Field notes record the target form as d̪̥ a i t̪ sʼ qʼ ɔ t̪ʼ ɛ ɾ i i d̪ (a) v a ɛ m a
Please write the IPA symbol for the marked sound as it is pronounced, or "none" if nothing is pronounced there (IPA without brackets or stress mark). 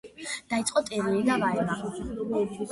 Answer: a